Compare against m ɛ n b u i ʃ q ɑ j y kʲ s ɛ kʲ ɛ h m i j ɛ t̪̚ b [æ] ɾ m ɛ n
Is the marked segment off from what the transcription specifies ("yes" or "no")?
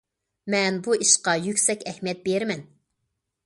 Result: yes